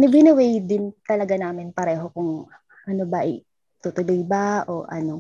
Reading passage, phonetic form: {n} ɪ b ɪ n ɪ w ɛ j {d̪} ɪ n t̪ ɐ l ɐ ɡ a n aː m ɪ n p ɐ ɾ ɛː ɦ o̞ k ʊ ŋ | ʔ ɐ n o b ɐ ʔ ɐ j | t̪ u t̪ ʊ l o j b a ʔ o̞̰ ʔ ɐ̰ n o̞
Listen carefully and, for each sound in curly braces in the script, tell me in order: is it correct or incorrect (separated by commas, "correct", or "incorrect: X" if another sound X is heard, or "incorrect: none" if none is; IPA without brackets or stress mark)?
correct, correct